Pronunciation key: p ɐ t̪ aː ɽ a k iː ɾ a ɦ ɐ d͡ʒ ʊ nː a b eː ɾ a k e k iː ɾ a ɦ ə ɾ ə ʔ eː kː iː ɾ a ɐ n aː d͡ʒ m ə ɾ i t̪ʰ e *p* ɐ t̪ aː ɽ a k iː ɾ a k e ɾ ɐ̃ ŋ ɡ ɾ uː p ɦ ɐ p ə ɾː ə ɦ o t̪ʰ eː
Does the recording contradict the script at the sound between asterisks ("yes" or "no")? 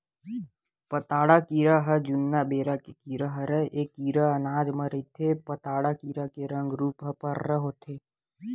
no